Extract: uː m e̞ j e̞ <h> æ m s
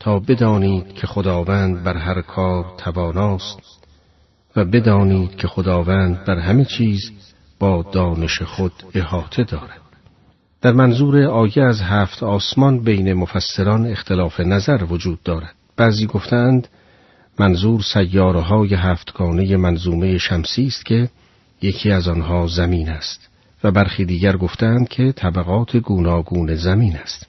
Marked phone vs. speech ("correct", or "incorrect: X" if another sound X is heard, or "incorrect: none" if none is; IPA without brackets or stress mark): incorrect: ʃ